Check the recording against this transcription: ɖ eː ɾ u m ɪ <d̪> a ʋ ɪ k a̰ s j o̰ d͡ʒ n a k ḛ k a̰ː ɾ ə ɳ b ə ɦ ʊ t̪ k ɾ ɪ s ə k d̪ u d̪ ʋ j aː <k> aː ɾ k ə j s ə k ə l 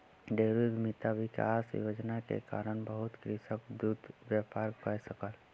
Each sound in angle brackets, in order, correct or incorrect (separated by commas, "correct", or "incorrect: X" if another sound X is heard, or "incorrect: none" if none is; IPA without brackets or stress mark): incorrect: t̪, incorrect: p